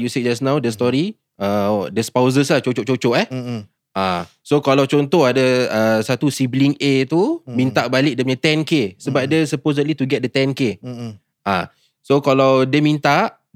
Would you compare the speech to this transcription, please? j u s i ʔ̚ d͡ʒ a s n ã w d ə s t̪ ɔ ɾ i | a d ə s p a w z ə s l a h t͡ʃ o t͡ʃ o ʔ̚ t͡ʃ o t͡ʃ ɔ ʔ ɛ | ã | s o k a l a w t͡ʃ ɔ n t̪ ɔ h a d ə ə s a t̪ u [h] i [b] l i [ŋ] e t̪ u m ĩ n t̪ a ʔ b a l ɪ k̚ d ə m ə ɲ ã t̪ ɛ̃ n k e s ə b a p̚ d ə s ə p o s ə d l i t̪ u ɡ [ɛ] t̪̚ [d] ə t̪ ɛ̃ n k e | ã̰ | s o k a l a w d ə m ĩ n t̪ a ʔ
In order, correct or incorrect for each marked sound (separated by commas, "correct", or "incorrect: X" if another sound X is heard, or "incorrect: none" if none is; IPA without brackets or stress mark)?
incorrect: s, correct, correct, correct, correct